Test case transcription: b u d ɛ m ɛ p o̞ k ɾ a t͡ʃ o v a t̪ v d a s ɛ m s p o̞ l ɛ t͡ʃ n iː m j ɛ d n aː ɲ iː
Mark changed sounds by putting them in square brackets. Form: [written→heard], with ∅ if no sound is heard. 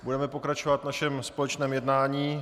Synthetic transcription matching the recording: b u d ɛ m ɛ p o̞ k ɾ a t͡ʃ o v a t̪ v [d→n] a [s→ʃ] ɛ m s p o̞ l ɛ t͡ʃ n [iː→ɛː] m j ɛ d n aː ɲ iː